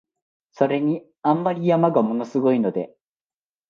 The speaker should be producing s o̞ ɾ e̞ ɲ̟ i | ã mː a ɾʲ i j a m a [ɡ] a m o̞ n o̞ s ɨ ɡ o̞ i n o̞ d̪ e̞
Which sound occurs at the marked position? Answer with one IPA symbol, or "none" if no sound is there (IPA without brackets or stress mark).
ɡ